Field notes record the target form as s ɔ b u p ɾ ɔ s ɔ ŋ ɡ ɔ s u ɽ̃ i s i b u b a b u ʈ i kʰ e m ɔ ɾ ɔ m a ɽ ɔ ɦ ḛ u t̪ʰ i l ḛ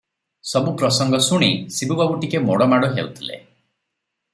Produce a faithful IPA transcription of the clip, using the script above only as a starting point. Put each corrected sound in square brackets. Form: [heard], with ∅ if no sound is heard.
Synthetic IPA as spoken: s ɔ b u p ɾ ɔ s ɔ ŋ ɡ ɔ s u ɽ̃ i s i b u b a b u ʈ i [k] e m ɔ [ɽ] ɔ m a ɽ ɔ ɦ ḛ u t̪ʰ i l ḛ